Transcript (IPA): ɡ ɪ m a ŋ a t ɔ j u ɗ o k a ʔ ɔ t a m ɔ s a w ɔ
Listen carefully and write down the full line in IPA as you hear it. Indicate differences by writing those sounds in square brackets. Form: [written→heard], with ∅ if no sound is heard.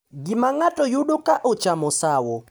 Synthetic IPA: ɡ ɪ m a ŋ a t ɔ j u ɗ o k a ʔ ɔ [t→t͡ʃ] a m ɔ s a w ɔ